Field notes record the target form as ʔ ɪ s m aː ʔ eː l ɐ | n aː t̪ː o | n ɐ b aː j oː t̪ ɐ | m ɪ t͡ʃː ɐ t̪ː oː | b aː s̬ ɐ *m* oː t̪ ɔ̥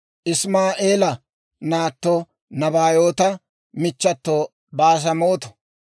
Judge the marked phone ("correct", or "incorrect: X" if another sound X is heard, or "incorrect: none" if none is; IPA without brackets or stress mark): correct